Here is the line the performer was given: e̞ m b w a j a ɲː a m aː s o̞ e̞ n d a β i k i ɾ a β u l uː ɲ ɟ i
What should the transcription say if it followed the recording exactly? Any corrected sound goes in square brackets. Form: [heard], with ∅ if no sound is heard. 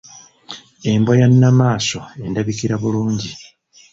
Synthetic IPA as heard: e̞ m b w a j a [nː] a m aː s o̞ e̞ n d a β i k i ɾ a β u l uː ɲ ɟ i